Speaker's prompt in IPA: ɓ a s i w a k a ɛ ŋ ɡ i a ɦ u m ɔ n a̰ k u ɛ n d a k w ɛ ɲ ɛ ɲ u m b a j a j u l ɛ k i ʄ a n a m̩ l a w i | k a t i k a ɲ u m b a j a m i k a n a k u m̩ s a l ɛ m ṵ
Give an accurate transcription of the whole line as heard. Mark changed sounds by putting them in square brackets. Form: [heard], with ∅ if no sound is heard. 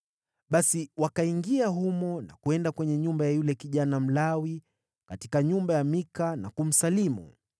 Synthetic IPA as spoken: ɓ a s i w a k a [i] ŋ ɡ i a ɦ u m ɔ n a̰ k u ɛ n d a k w ɛ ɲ ɛ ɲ u m b a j a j u l ɛ k i ʄ a n a m̩ l a w i | k a t i k a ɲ u m b a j a m i k a n a k u m̩ s a l [i] m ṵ

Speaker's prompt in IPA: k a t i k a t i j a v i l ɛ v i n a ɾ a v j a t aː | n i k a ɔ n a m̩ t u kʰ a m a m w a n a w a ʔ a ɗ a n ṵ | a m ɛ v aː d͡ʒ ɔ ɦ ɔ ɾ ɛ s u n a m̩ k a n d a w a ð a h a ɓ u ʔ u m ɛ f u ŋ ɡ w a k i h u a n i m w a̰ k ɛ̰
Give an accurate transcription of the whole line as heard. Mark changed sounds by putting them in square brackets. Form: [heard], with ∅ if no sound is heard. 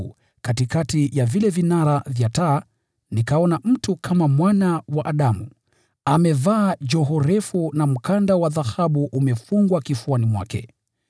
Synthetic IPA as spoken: k a t i k a t i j a v i l ɛ v i n a ɾ a v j a t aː | n i k a ɔ n a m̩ t u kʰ a m a m w a n a w a ʔ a ɗ a [m] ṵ | a m ɛ v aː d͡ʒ ɔ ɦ ɔ ɾ ɛ [f] u n a m̩ k a n d a w a ð a h a ɓ u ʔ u m ɛ f u ŋ ɡ w a k i [f] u a n i m w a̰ k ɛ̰

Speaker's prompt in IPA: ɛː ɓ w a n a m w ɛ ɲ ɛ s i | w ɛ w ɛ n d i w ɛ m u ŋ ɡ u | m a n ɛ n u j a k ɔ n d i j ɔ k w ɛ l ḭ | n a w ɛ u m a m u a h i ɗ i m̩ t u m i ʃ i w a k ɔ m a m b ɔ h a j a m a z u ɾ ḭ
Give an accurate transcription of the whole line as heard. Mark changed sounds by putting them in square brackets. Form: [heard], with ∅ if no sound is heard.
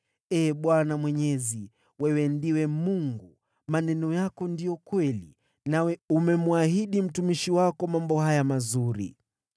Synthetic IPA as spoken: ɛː ɓ w a n a m w ɛ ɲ ɛ [z] i | w ɛ w ɛ n d i w ɛ m u ŋ ɡ u | m a n ɛ n [ɔ] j a k ɔ n d i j ɔ k w ɛ l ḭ | n a w ɛ u m [ɛ] m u a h i ɗ i m̩ t u m i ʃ i w a k ɔ m a m b ɔ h a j a m a z u ɾ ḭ

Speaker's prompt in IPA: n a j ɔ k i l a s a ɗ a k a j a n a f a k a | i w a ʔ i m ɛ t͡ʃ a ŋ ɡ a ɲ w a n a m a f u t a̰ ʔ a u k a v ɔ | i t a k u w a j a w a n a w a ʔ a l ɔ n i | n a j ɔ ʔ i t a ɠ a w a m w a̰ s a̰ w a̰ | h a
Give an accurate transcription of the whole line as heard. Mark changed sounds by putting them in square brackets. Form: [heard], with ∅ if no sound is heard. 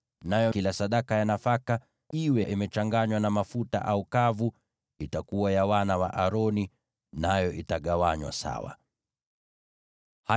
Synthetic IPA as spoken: n a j ɔ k i l a s a ɗ a k a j a n a f a k a | i w [ɛ] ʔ i m ɛ t͡ʃ a ŋ ɡ a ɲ w a n a m a f u t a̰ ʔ a u k a v [u] | i t a k u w a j a w a n a w a ʔ a [ɾ] ɔ n i | n a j ɔ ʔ i t a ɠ a w a [ɲ] w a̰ s a̰ w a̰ | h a

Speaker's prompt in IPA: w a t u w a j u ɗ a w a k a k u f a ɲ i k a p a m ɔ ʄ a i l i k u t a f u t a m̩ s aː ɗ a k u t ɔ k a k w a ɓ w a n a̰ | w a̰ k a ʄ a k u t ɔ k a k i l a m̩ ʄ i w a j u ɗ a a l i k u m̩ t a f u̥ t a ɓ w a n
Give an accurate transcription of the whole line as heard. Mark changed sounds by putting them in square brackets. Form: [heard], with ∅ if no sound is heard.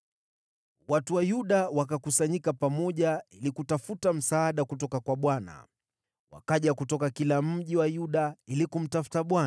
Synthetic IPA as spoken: w a t u w a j u ɗ a w a k a k u [s] a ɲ i k a p a m ɔ ʄ a i l i k u t a f u t a m̩ s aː ɗ a k u t ɔ k a k w a ɓ w a n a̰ | w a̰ k a ʄ a k u t ɔ k a k i l a m̩ ʄ i w a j u ɗ a [i] l i k u m̩ t a f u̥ t a ɓ w a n

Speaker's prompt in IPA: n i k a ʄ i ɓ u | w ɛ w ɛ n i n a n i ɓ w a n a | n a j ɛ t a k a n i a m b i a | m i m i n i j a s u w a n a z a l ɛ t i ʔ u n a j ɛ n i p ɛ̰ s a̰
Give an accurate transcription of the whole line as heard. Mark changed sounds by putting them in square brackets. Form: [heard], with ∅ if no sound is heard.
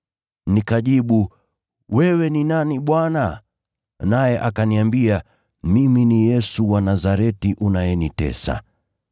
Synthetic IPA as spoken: n i k a ʄ i ɓ u | w ɛ w ɛ n i n a n i ɓ w a n a | n a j ɛ [ʔ] a k a n i a m b i a | m i m i n i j [ɛ] s u w a n a z a [ɾ] ɛ t i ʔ u n a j ɛ n i [t] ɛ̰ s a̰

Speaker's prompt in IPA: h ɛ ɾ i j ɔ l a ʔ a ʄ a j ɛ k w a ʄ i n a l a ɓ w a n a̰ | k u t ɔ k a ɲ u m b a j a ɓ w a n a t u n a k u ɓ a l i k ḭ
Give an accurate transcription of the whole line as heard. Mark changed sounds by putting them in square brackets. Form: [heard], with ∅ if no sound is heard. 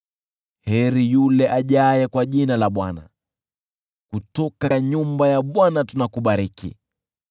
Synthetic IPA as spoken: h ɛ ɾ i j [u] l [ɛ] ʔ a ʄ a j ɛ k w a ʄ i n a l a ɓ w a n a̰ | k u t ɔ k a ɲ u m b a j a ɓ w a n a t u n a k u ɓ a [ɾ] i k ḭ

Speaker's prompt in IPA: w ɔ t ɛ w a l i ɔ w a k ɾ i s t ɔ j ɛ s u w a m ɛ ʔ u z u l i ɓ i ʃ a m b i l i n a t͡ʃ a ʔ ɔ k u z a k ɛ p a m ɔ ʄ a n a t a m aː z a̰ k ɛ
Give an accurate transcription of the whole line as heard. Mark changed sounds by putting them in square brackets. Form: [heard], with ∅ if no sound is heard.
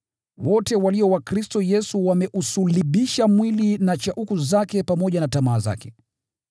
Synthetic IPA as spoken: w ɔ t ɛ w a l i ɔ w a k ɾ i s t ɔ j ɛ s u w a m ɛ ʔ u [s] u l i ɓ i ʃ a m [w] i l i n a t͡ʃ a ʔ [u] k u z a k ɛ p a m ɔ ʄ a n a t a m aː z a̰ k ɛ

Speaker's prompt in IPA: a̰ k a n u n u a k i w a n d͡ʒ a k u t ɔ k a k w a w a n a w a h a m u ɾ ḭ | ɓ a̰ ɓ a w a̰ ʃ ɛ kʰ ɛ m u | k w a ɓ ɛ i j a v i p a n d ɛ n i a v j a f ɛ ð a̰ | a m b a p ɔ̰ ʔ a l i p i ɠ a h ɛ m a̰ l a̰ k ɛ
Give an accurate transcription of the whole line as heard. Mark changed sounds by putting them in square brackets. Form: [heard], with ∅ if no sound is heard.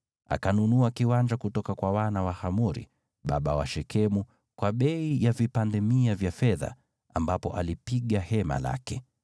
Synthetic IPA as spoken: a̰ k a n u n u a k i w a n d͡ʒ a k u t ɔ k a k w a w a n a w a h a m u ɾ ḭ | ɓ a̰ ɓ a w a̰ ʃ ɛ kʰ ɛ m u | k w a ɓ ɛ i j a v i p a n d ɛ [m] i a v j a f ɛ ð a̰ | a m b a p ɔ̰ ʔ a l i p i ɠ a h ɛ m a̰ l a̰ k ɛ

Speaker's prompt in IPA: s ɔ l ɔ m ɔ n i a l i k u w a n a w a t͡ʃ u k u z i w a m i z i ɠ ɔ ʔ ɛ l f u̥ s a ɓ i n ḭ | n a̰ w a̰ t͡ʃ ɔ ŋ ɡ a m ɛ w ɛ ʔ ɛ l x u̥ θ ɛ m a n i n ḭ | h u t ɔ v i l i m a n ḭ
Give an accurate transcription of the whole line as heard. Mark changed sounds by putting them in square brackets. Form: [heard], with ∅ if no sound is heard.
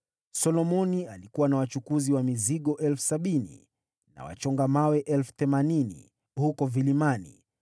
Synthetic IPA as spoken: s ɔ l ɔ m ɔ n i a l i k u w a n a w a t͡ʃ u k u z i w a m i z i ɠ ɔ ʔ ɛ l f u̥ s a ɓ i n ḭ | n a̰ w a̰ t͡ʃ ɔ ŋ ɡ a m [a] w ɛ ʔ ɛ l [f] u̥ θ ɛ m a n i n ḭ | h u [k] ɔ v i l i m a n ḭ

